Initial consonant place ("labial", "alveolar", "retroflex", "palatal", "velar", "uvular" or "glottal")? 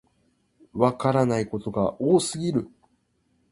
labial